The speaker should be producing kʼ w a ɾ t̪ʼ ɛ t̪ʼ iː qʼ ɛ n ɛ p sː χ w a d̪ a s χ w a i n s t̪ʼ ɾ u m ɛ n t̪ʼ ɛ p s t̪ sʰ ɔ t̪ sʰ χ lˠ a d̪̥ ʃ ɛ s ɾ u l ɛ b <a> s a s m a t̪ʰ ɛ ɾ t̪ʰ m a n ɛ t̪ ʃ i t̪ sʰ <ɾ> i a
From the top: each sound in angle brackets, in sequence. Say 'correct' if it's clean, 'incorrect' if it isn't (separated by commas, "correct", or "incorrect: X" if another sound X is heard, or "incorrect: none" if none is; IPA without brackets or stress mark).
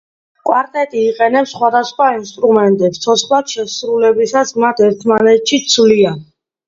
incorrect: i, incorrect: l